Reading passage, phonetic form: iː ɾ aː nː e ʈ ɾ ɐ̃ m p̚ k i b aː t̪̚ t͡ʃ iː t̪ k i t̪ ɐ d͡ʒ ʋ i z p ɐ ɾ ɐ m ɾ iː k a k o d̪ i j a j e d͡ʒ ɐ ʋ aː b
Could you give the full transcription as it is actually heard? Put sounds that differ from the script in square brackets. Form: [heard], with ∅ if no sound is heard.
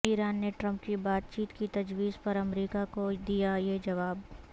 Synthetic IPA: iː ɾ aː nː e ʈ ɾ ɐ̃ m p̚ k i b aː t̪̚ t͡ʃ iː t̪ k i t̪ ɐ d͡ʒ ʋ [iː] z p ɐ ɾ ɐ m ɾ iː k a k o d̪ i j a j e d͡ʒ ɐ ʋ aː b